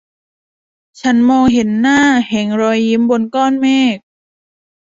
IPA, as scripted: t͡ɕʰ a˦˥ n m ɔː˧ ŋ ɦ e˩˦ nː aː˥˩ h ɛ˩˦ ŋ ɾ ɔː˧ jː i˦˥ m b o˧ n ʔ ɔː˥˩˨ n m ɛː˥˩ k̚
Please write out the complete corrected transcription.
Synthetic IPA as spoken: t͡ɕʰ a˦˥ n m ɔː˧ ŋ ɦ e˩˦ nː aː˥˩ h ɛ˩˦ ŋ ɾ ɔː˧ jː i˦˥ m b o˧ n k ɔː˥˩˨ n m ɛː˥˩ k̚